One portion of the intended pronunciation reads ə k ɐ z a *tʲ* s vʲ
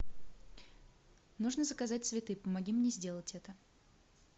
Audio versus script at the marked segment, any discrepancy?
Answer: no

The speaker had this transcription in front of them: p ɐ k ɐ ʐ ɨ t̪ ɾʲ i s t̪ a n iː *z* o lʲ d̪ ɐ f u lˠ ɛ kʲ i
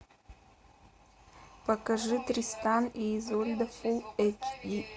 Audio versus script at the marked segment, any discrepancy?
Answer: no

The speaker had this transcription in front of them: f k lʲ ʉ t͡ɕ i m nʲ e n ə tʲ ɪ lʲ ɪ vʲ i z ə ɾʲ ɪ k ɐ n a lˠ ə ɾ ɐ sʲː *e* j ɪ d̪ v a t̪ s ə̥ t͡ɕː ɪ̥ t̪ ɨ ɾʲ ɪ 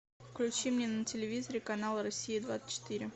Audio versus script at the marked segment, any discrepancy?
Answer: yes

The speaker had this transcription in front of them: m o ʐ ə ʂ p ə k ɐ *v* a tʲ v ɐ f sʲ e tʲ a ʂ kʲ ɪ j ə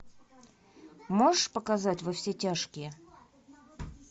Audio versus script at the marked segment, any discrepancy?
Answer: yes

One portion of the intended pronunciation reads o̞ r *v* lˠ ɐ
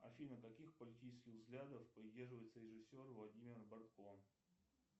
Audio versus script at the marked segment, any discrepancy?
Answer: no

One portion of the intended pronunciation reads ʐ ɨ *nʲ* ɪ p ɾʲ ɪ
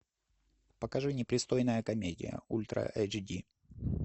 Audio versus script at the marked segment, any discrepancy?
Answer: no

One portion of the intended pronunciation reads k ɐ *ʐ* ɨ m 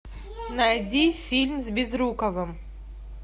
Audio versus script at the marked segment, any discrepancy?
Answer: yes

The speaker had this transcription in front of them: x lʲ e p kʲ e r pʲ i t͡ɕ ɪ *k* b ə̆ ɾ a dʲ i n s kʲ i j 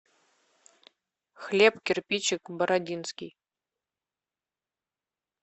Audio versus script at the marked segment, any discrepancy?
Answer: no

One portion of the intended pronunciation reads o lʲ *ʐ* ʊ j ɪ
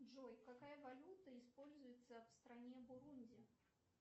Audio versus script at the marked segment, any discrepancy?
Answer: yes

